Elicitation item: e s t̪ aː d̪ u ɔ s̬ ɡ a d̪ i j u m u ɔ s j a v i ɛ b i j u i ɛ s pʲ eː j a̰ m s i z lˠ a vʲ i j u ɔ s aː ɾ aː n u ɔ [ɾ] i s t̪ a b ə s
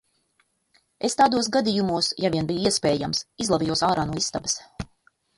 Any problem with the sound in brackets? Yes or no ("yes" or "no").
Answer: yes